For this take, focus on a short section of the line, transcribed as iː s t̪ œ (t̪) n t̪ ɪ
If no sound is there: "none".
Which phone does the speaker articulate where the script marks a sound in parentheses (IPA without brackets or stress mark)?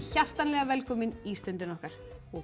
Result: none